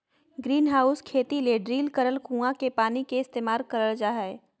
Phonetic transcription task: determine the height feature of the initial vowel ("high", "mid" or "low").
high